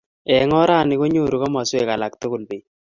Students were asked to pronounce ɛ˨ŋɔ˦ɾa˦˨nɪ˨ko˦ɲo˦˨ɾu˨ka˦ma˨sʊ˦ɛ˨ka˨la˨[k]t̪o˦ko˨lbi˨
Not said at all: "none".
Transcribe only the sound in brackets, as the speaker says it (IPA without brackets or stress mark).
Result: k